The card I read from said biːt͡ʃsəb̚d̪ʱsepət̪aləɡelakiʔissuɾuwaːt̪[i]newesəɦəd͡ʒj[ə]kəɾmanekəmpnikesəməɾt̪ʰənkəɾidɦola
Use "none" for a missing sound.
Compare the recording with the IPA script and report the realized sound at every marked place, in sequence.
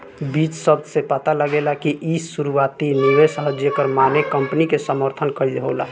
i, ə

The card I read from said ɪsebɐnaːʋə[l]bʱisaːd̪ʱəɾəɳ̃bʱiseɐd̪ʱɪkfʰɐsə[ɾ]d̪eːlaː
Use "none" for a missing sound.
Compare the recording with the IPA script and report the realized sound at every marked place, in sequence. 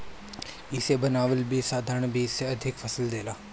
l, l

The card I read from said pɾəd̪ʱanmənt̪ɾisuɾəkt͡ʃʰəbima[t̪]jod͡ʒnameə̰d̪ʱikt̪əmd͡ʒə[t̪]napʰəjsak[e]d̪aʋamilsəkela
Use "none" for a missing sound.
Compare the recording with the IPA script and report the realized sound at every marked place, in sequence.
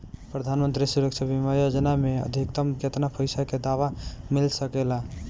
none, t̪, e

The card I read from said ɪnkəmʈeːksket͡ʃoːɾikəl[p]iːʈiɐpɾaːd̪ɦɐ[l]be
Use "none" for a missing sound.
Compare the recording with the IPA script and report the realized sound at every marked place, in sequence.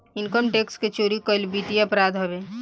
b, none

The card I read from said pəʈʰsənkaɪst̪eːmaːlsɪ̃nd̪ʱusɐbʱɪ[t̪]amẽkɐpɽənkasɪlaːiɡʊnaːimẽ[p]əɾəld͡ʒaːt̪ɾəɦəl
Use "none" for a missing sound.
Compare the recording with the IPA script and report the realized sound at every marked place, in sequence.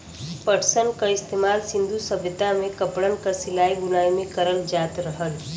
t̪, k

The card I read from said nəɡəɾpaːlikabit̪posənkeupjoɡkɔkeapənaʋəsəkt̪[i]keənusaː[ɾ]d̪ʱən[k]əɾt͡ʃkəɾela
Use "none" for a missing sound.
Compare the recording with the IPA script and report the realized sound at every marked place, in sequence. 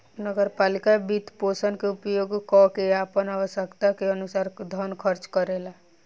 a, ɾ, kʰ

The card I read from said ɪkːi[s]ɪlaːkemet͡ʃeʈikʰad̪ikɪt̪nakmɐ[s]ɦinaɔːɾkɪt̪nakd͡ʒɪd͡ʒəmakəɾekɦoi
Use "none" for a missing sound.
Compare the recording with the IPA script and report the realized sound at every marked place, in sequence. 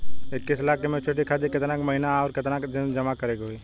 s, none

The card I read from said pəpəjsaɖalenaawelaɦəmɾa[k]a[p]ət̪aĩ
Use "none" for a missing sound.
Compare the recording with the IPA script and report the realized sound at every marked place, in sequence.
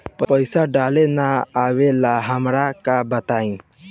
k, b

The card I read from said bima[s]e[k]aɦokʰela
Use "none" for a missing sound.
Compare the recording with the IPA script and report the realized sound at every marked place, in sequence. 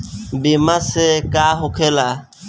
s, k

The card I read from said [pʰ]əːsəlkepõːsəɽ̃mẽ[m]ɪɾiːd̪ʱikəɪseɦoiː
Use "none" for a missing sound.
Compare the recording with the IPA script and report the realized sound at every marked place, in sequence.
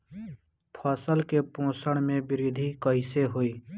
pʰ, b

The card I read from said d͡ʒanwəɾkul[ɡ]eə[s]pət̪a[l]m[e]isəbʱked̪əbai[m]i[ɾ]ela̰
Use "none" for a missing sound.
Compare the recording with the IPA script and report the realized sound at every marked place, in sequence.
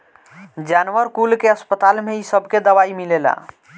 k, s, l, e, m, l

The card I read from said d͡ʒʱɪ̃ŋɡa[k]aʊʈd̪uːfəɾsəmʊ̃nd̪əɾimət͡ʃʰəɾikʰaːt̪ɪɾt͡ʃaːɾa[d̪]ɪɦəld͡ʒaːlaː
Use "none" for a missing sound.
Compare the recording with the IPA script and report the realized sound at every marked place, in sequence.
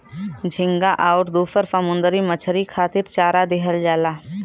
ʔ, d̪

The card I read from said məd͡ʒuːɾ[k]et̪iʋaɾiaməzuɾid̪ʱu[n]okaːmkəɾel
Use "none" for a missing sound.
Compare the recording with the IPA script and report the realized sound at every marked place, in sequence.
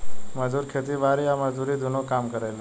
kʰ, n

